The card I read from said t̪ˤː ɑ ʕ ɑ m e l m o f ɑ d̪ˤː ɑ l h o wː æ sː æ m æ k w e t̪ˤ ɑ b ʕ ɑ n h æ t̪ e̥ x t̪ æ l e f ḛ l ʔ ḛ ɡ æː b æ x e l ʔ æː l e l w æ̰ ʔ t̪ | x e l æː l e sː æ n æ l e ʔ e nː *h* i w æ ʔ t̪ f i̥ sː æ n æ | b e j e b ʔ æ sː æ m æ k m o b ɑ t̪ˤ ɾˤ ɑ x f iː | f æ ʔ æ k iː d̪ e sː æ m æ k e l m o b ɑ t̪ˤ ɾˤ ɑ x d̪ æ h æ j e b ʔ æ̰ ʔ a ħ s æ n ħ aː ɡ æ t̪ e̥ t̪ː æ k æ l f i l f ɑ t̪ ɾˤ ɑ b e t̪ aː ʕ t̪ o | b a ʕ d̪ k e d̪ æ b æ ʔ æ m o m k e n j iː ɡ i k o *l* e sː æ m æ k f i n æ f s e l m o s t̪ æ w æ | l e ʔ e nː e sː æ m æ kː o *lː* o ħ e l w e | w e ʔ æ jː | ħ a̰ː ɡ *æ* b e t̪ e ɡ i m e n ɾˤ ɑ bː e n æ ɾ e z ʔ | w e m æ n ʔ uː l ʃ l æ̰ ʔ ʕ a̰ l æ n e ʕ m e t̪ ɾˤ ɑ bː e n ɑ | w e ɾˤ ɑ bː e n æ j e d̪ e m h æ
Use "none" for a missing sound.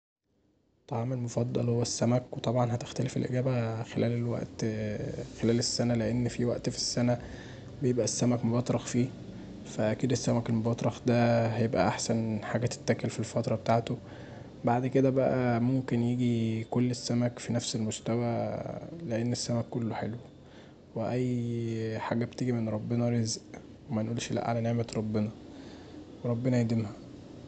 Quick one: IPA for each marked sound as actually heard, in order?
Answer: f, lː, lː, æ

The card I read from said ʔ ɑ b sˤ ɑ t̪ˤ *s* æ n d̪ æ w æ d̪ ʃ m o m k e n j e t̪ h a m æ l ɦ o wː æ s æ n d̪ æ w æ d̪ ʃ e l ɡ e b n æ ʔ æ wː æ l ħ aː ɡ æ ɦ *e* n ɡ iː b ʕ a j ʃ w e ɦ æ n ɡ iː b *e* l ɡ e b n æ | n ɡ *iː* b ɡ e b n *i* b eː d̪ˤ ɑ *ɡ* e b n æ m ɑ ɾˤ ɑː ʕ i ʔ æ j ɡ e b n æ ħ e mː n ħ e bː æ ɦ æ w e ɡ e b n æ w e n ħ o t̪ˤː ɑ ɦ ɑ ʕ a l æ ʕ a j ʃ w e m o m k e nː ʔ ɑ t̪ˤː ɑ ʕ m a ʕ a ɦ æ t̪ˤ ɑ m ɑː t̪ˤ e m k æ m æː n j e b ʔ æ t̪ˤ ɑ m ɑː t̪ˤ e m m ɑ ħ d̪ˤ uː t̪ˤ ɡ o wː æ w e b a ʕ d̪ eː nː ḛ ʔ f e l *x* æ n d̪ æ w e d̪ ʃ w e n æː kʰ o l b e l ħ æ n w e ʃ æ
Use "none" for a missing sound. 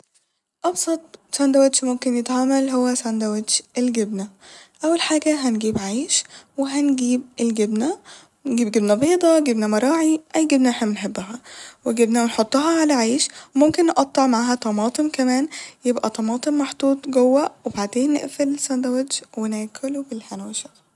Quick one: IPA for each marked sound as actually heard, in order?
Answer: s, æ, e, iː, æ, ɡ, s

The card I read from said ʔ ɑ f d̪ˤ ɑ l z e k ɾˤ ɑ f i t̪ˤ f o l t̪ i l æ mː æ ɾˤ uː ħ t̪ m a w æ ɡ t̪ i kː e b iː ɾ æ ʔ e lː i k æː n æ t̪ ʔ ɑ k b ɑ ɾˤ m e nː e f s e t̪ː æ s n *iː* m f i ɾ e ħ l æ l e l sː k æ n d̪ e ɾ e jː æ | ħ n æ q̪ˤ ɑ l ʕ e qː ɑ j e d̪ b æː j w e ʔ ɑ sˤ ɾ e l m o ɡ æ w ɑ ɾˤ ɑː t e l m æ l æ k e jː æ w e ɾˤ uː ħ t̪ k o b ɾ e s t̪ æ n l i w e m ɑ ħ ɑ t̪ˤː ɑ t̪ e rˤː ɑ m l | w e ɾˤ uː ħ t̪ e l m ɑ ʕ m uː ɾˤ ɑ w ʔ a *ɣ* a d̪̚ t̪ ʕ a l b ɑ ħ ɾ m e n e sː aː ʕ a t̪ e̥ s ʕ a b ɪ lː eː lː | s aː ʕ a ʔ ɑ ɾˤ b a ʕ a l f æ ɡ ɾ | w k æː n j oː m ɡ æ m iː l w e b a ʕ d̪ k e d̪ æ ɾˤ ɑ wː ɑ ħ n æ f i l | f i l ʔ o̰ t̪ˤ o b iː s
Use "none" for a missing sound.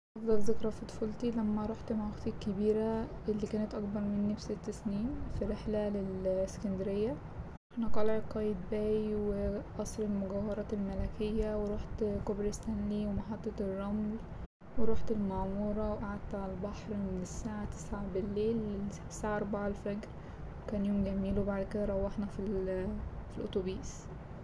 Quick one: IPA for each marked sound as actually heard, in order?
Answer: iː, ʕ

